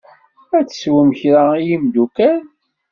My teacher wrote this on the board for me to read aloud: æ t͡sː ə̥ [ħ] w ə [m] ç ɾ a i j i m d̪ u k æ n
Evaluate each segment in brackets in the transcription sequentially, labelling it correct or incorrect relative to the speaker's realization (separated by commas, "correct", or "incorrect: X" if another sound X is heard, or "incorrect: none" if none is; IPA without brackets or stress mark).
incorrect: s, correct